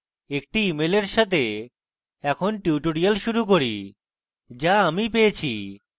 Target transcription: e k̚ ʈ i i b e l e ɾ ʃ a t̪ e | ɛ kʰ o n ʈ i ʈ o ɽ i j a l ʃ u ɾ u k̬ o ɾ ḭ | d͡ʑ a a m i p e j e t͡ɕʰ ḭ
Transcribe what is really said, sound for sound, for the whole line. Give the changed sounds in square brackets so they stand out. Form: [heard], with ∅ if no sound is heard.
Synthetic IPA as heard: e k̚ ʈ i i [m] e l e ɾ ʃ a t̪ e | ɛ kʰ o n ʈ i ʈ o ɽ i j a l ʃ u ɾ u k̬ o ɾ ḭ | d͡ʑ a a m i p e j e t͡ɕʰ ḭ